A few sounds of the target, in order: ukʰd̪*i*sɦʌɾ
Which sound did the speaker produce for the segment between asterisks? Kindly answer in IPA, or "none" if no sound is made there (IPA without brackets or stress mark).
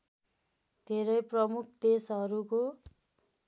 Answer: e